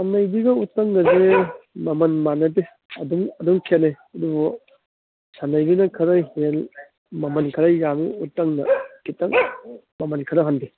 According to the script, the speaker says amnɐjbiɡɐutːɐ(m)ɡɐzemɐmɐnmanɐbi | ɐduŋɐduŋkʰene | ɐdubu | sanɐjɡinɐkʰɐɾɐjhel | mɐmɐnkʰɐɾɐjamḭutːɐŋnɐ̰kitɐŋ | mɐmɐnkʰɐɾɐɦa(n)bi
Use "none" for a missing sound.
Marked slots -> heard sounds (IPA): ŋ, n

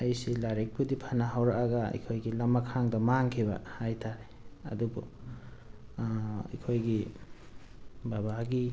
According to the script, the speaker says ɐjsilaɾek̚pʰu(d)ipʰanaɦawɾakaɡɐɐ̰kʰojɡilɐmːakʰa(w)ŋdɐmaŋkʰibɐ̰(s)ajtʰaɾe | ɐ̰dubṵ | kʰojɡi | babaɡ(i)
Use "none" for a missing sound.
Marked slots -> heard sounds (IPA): d, none, h, i

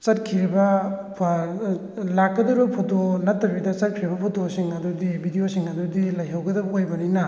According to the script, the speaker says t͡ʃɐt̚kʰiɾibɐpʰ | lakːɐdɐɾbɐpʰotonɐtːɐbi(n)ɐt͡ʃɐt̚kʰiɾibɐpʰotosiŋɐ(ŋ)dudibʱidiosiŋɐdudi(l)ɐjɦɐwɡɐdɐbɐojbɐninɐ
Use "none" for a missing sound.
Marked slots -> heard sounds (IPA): d, none, l

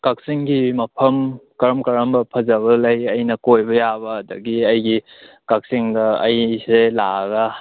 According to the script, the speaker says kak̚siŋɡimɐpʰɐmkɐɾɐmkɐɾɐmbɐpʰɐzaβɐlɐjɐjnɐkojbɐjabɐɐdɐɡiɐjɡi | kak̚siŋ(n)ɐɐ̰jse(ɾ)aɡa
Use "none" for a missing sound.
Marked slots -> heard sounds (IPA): d, l

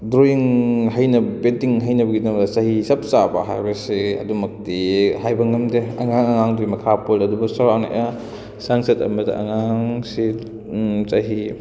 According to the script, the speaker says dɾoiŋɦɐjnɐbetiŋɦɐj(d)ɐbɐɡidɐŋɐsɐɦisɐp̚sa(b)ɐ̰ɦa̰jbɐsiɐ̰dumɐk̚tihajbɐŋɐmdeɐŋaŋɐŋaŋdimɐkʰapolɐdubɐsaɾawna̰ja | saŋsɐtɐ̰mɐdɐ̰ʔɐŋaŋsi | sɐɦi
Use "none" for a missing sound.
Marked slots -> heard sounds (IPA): n, b

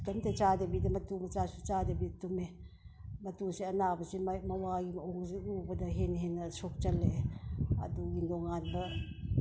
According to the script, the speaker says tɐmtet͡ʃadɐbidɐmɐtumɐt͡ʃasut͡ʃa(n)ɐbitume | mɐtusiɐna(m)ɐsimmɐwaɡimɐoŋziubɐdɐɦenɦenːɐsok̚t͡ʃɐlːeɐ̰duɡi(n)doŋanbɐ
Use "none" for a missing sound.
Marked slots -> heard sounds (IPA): d, b, n

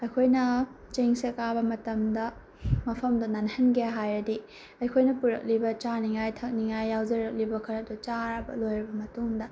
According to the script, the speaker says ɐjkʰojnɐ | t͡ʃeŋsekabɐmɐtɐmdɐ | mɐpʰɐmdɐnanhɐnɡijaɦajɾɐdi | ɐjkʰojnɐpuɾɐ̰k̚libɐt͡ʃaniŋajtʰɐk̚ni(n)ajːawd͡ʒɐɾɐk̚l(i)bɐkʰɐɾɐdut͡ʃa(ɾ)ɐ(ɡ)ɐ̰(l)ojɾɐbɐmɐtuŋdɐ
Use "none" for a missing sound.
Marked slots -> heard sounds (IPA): ŋ, i, ɾ, b, l

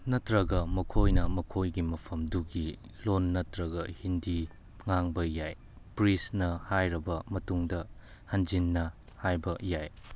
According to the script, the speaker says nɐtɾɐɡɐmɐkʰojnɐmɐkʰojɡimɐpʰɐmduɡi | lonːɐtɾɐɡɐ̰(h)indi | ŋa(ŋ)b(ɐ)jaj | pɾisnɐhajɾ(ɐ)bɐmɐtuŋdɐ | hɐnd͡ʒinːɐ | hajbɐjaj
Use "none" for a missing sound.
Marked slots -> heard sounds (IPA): h, ŋ, ɐ, ɐ

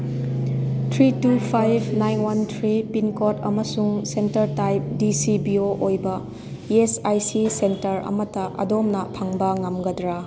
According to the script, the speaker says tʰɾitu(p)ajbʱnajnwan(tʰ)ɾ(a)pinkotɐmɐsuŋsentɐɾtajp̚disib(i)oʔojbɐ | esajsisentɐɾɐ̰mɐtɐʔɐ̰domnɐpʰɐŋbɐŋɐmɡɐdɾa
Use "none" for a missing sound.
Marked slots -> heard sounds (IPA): pʰ, tʰ, i, i

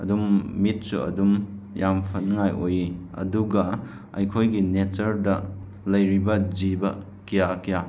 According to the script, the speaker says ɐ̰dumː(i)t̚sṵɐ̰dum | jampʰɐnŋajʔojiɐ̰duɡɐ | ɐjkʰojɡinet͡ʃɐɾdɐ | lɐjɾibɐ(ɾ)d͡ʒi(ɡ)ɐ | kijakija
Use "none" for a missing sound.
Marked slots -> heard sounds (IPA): i, none, b

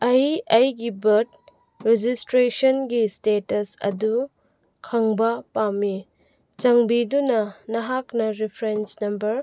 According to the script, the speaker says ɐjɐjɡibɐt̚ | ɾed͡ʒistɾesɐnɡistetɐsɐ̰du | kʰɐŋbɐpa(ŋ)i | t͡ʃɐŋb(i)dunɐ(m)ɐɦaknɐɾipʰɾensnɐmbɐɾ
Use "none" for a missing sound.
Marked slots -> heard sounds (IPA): m, i, n

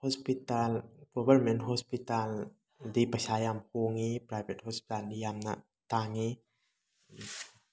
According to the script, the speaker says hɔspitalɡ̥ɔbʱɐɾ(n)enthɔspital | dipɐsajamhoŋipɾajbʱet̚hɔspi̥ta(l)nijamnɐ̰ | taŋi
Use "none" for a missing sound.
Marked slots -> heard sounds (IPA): m, l

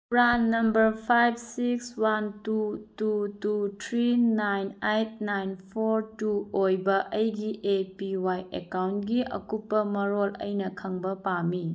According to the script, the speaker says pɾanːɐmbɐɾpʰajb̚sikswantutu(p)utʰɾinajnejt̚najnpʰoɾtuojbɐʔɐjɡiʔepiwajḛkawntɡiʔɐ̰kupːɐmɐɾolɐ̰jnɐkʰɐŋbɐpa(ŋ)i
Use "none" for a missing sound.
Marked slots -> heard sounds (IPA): t, m

